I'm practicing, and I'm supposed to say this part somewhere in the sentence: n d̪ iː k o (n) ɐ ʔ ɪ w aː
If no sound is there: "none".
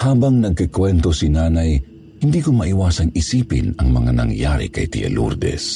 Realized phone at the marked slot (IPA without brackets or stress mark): m